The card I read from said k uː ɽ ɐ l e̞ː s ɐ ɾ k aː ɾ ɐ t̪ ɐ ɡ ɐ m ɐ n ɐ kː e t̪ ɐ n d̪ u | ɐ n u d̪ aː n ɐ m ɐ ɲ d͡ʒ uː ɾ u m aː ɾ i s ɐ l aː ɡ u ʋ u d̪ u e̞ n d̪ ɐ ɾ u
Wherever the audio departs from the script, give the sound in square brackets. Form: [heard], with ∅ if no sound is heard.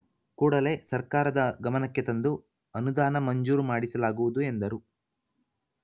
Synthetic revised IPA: k uː ɽ ɐ l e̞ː s ɐ ɾ k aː ɾ ɐ [d̪] ɐ ɡ ɐ m ɐ n ɐ kː e t̪ ɐ n d̪ u | ɐ n u d̪ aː n ɐ m ɐ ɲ d͡ʒ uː ɾ u m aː [ɽ] i s ɐ l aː ɡ u ʋ u d̪ u e̞ n d̪ ɐ ɾ u